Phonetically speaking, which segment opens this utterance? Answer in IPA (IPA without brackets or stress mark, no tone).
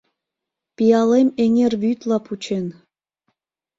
p